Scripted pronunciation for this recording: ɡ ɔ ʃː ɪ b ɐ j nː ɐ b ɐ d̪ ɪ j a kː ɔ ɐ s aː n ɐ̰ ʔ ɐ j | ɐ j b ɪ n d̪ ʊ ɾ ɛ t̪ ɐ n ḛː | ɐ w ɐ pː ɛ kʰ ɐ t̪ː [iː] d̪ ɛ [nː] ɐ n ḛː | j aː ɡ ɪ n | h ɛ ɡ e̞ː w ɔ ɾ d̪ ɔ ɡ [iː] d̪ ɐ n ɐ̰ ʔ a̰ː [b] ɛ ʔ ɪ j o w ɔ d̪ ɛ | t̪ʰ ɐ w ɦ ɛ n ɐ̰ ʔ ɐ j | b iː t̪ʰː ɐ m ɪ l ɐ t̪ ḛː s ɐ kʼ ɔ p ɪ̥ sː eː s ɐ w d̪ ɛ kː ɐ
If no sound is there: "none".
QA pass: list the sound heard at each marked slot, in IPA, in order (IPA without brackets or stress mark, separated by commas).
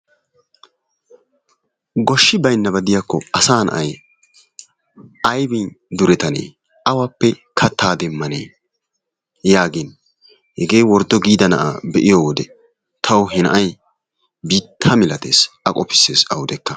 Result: aː, mː, iː, b